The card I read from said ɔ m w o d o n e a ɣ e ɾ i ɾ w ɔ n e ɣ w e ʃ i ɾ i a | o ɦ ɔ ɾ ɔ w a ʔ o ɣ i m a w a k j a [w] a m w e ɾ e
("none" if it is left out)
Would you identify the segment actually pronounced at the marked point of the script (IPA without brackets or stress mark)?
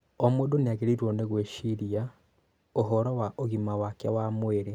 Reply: w